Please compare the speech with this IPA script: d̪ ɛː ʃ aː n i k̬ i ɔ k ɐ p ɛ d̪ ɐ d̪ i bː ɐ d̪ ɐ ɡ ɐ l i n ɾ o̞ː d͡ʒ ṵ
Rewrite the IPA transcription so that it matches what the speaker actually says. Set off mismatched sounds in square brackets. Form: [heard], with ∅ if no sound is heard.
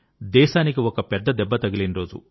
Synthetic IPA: d̪ ɛː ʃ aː n i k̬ i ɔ k ɐ p ɛ [d̪ː] ɐ d̪ [ɛ] bː ɐ [t̪] ɐ ɡ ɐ l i n ɾ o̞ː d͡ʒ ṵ